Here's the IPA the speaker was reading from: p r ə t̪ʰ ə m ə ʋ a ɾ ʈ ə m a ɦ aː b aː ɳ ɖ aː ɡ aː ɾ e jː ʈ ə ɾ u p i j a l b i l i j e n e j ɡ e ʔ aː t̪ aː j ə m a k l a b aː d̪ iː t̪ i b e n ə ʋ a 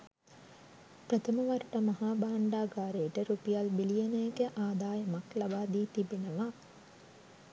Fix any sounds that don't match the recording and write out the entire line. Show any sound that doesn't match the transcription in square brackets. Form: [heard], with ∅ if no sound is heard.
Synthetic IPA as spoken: p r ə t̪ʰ ə m ə ʋ a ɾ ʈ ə m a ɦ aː b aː ɳ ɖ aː ɡ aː ɾ e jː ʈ ə ɾ u p i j a l b i l i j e n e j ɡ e ʔ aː [d̪] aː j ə m a k l a b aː d̪ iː t̪ i b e n ə ʋ a